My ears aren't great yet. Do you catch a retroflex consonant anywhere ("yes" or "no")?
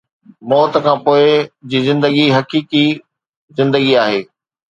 no